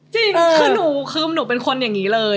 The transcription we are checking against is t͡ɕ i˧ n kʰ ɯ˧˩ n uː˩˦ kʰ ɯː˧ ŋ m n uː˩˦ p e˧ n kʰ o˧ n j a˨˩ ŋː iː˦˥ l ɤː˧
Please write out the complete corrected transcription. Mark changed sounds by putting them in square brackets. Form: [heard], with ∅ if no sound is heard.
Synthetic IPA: t͡ɕ i˧ [ŋ] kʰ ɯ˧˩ n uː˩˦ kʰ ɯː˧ [∅] m n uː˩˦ p e˧ n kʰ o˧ n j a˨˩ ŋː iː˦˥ l ɤː˧